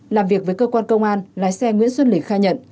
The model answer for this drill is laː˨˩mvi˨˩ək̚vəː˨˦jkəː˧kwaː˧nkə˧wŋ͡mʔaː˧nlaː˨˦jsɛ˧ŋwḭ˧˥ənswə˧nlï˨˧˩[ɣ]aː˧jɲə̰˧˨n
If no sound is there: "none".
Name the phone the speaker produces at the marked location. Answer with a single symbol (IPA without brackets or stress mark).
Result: x